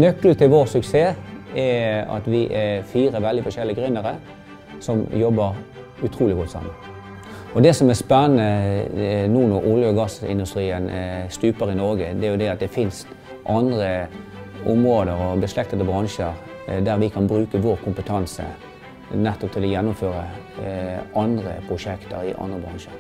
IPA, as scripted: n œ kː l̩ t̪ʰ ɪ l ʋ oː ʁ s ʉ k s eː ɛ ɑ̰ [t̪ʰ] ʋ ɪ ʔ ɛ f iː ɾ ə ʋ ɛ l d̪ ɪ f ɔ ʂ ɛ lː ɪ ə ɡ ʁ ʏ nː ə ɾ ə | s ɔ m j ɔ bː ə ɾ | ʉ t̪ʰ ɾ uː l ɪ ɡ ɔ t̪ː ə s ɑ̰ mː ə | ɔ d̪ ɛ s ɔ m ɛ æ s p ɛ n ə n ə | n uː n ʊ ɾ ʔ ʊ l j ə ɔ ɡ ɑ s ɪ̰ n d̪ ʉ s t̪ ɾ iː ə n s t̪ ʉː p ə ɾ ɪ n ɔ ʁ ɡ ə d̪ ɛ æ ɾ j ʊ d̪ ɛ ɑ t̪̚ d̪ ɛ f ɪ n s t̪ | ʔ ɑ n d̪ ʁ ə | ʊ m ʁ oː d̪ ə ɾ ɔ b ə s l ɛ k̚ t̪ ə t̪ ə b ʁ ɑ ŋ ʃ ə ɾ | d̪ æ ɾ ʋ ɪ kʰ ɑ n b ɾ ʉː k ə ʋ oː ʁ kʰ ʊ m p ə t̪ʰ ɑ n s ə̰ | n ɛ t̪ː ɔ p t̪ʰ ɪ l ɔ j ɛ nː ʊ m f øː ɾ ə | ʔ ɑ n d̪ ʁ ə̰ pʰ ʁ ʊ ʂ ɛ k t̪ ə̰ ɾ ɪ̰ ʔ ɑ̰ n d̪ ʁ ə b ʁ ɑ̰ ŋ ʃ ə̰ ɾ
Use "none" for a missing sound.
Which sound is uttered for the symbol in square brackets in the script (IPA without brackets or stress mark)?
t̪